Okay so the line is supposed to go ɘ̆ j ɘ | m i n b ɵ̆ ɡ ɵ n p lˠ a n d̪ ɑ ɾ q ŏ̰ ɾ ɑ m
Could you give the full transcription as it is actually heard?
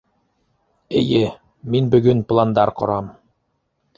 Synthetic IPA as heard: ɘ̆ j ɘ | m i n b ɵ̆ ɡ ɵ n p lˠ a n d̪ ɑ ɾ q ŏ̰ ɾ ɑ m